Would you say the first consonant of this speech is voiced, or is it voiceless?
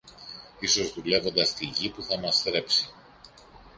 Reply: voiceless